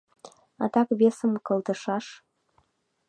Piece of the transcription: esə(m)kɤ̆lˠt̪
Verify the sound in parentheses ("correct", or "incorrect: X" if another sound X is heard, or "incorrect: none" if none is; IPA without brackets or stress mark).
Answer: correct